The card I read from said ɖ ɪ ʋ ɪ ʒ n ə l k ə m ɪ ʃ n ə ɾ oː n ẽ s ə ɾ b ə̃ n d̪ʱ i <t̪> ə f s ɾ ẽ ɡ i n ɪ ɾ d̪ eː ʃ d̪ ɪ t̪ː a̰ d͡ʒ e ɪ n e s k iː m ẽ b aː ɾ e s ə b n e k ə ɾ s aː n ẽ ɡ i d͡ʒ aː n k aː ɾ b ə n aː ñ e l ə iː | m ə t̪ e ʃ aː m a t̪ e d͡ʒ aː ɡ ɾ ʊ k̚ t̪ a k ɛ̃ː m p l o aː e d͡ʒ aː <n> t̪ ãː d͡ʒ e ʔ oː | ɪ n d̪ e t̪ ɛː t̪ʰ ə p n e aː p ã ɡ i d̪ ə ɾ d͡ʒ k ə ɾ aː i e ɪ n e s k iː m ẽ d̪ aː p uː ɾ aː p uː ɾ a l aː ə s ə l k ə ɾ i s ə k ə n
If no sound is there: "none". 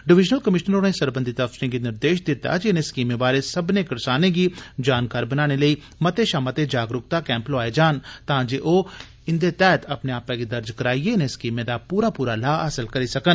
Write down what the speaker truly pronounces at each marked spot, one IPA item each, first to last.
t̪, n

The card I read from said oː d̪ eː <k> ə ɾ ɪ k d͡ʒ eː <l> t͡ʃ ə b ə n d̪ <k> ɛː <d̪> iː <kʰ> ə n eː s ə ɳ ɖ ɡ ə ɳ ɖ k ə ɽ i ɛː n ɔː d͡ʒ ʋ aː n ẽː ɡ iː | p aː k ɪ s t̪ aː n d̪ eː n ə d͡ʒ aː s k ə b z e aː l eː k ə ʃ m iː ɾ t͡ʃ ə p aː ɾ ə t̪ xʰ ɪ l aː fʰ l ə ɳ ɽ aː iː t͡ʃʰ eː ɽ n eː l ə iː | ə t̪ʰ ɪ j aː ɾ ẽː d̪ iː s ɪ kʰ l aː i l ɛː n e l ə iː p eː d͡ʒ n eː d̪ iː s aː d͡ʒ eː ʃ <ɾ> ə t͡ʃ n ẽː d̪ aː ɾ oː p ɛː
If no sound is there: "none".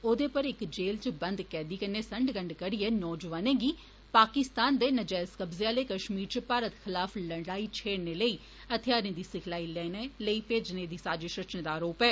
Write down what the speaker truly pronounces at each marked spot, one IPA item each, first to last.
p, l, k, d̪, k, ɾ

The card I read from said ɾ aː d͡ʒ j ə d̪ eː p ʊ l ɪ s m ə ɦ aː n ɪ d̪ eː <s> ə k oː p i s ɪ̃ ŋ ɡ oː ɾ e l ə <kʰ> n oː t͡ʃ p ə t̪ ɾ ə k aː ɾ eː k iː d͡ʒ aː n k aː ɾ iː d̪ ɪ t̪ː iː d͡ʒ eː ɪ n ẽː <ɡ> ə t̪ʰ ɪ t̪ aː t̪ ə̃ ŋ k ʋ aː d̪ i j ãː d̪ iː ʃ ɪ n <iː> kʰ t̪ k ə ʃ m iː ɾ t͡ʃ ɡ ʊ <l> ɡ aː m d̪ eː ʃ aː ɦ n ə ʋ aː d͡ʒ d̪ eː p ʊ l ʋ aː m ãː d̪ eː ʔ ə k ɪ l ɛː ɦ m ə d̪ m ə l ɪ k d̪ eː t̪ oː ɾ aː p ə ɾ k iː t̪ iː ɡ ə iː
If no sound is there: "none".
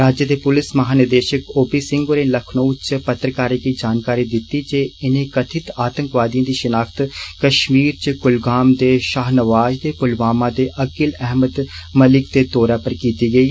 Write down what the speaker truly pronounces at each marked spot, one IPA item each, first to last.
ʃ, kʰ, k, aː, l

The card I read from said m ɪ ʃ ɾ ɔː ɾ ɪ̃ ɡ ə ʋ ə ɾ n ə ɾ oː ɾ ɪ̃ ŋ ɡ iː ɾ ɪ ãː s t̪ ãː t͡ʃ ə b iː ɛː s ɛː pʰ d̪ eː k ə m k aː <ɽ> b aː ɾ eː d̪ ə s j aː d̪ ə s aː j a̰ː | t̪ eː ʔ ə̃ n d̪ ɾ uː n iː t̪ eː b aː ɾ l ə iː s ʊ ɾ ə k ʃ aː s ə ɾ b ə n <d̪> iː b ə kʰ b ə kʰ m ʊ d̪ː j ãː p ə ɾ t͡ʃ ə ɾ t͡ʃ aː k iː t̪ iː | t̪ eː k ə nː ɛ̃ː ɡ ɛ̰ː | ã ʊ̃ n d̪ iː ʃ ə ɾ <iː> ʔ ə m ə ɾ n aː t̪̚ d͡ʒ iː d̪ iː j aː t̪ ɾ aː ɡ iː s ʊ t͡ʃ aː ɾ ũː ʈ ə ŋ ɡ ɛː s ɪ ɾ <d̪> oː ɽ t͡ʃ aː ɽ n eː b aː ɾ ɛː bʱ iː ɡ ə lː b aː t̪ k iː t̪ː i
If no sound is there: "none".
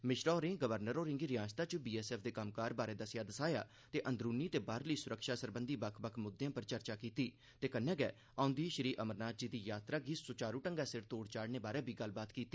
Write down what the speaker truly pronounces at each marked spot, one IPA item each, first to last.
ɾ, d̪, iː, t̪

